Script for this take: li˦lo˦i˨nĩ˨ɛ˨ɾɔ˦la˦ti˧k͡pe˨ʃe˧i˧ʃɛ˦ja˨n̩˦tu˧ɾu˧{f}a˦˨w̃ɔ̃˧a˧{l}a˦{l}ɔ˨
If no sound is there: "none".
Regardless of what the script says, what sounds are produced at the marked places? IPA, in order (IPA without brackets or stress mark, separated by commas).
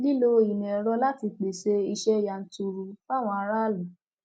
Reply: f, ɾ, l